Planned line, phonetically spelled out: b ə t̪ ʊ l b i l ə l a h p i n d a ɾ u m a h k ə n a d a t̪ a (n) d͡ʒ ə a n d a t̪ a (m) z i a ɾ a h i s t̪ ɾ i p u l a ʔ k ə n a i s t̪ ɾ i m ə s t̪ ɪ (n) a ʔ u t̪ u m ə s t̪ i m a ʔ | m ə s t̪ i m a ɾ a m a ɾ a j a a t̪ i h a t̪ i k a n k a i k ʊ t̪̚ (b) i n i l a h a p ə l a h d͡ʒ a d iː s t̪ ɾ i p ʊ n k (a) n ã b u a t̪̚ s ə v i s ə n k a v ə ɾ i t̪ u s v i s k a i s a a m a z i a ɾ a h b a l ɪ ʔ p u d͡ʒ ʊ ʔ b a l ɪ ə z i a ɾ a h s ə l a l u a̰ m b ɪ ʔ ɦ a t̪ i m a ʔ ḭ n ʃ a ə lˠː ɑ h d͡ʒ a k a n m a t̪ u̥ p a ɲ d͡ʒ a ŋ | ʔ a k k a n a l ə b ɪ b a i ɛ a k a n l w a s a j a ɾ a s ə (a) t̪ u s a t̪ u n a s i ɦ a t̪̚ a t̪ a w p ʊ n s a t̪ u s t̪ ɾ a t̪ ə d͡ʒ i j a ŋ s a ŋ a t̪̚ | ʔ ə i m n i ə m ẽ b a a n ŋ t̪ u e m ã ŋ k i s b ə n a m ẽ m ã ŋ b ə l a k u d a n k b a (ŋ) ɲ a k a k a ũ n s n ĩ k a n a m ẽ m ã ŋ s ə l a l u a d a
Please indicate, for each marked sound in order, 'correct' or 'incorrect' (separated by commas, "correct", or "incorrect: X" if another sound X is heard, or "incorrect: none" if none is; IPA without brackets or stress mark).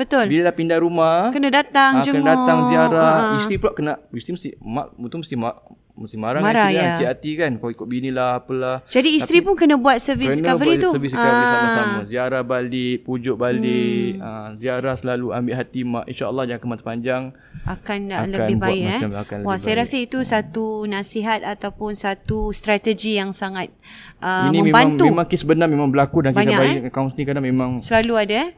incorrect: ŋ, incorrect: ŋ, incorrect: m, correct, incorrect: ə, incorrect: i, incorrect: ɲ